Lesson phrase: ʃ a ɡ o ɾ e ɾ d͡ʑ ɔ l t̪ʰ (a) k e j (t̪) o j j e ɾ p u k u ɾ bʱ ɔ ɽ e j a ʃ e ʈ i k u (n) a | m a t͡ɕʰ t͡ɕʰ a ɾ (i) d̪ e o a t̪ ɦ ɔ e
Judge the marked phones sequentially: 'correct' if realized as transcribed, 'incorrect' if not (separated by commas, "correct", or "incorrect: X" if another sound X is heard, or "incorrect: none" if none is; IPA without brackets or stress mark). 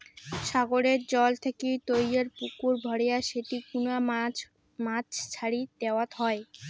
incorrect: e, correct, correct, correct